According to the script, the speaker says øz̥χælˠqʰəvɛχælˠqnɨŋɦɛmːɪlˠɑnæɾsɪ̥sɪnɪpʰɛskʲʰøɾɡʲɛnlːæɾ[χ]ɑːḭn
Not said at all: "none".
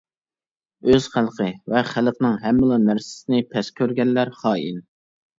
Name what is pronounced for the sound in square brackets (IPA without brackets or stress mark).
χ